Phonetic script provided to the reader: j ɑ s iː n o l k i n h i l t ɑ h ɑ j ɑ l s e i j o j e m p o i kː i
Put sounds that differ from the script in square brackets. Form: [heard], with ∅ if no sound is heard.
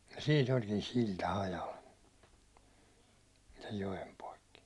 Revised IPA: j ɑ s iː n o l k i n [s] i l t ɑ h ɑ j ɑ l s e [j] j o j e m p o i kː i